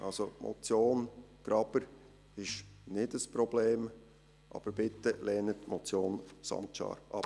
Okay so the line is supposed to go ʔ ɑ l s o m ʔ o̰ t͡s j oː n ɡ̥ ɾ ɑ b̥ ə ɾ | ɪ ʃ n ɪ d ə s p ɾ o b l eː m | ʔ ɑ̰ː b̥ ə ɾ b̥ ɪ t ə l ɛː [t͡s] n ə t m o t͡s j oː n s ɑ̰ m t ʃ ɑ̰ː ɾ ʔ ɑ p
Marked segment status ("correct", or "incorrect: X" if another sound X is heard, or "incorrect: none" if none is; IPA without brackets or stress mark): incorrect: none